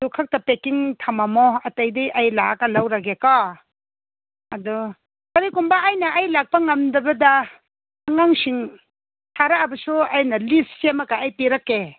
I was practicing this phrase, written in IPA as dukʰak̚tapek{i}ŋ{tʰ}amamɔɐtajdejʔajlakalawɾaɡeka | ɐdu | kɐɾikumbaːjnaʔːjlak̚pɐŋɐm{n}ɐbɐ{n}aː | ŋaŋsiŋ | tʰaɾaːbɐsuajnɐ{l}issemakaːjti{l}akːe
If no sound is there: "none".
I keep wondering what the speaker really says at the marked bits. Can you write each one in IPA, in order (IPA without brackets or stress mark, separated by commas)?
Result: i, tʰ, d, d, l, ɾ